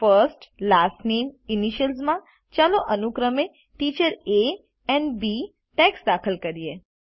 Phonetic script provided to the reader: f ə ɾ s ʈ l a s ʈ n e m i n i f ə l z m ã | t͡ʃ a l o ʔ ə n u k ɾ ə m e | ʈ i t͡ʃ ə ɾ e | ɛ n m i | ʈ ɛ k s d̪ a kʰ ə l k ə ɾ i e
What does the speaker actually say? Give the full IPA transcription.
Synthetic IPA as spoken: f ə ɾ s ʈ l a s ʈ n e m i n i ʃ ə l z m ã | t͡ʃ a l o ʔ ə n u k ɾ ə m e | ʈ i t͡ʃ ə ɾ e | ɛ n b i | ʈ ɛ k s d̪ a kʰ ə l k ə ɾ i e